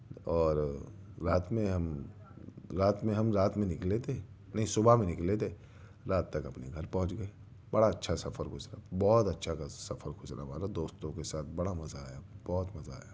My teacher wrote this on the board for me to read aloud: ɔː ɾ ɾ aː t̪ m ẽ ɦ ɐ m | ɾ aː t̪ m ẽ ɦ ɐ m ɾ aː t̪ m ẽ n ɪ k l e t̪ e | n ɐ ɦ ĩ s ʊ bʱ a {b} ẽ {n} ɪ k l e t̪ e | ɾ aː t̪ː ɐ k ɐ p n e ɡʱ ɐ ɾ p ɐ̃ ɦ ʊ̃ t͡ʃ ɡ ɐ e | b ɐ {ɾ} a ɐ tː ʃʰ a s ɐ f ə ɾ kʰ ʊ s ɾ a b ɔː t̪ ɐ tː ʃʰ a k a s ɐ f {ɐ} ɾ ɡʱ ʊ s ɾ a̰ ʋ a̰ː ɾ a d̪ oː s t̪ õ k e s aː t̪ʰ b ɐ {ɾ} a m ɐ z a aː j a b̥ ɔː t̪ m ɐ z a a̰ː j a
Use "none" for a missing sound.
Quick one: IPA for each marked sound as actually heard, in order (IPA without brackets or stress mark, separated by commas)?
m, n, ɽ, ə, ɽ